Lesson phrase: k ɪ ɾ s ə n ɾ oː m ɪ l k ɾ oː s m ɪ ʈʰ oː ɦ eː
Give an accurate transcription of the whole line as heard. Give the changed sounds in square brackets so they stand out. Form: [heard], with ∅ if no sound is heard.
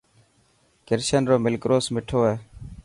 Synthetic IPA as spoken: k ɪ ɾ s ə n ɾ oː m ɪ l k ɾ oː s m ɪ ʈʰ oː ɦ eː